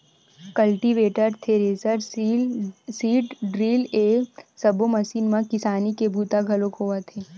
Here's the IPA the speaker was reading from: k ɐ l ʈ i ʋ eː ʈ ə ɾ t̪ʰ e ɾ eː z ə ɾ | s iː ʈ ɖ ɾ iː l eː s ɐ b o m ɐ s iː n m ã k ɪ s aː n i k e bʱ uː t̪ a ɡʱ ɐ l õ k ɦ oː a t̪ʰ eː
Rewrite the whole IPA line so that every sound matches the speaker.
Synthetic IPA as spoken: k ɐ l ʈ i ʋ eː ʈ ə ɾ t̪ʰ e ɾ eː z ə ɾ | s iː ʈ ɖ ɾ iː l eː s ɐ b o m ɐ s iː n m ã k ɪ s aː n i k e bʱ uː t̪ a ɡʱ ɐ l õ k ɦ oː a t̪ʰ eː